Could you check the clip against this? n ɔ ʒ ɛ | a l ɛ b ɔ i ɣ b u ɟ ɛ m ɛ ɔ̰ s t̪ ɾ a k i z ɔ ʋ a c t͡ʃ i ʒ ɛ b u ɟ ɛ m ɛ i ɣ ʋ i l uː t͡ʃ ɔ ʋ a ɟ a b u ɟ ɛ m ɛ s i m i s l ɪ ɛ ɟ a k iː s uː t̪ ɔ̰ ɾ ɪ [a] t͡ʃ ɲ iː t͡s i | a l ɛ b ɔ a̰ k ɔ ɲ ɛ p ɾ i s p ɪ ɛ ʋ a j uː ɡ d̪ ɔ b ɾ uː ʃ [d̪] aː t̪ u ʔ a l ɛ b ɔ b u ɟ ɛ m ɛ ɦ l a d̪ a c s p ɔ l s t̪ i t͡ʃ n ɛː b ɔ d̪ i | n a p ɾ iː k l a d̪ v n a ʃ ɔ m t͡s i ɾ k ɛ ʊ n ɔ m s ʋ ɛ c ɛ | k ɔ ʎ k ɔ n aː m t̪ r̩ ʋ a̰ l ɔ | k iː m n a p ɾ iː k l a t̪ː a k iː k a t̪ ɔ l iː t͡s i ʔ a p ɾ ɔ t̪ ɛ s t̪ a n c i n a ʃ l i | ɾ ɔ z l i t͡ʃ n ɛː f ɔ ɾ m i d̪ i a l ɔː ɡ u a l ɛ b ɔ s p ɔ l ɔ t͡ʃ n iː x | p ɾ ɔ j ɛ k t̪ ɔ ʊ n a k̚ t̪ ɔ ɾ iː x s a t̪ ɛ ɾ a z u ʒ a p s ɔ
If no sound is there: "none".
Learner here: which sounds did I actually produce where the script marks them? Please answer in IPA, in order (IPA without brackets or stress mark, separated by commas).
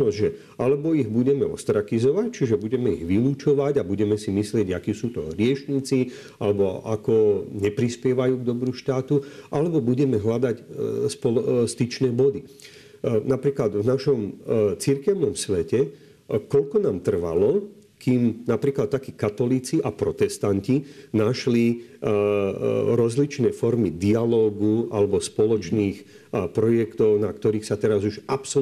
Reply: ɛ, t̪